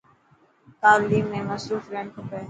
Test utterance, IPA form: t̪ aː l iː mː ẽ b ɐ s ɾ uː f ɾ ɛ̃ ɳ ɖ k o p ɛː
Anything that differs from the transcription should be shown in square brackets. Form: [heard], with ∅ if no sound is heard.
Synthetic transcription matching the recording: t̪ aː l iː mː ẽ [m] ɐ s ɾ uː f ɾ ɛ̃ ɳ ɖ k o p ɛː